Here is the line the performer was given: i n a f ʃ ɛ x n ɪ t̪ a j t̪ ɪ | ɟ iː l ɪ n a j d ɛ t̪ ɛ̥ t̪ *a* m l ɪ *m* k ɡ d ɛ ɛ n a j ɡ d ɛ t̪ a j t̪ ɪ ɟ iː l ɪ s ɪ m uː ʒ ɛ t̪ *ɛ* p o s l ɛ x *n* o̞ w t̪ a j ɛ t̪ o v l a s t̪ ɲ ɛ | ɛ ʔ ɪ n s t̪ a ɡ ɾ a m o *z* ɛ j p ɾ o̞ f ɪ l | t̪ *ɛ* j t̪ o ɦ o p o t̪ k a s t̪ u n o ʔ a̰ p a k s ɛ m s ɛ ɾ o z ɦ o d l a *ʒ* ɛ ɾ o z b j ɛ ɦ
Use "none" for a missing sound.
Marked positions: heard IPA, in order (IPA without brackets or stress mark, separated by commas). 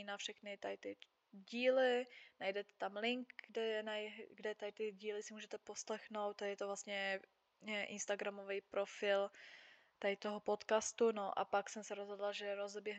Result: a, ŋ, ɛ, n, v, a, ʒ